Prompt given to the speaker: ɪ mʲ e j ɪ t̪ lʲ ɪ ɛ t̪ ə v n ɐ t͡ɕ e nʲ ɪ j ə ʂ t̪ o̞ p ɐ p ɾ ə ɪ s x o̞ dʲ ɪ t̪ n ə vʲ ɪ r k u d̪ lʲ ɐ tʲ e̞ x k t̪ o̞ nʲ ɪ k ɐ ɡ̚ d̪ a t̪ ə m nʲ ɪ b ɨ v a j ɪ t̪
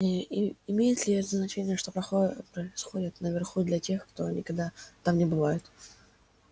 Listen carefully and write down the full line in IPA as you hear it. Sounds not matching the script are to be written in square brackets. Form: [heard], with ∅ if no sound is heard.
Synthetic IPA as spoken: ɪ mʲ e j ɪ t̪ lʲ ɪ ɛ t̪ ə [z] n ɐ t͡ɕ e nʲ ɪ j ə ʂ t̪ o̞ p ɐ p ɾ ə ɪ s x o̞ dʲ ɪ t̪ n ə vʲ ɪ r [x] u d̪ lʲ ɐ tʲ e̞ x k t̪ o̞ nʲ ɪ k ɐ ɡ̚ d̪ a t̪ [a] m nʲ ɪ b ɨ v a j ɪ t̪